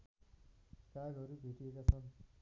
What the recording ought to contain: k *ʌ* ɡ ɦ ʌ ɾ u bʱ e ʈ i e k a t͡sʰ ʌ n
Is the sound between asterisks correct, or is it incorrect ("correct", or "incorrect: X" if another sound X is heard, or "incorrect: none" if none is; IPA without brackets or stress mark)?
incorrect: a